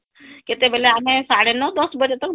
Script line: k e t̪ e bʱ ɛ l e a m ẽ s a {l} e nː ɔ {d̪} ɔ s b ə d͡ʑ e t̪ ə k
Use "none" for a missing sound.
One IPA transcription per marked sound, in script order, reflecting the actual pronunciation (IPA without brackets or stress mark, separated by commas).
ɽ, d̪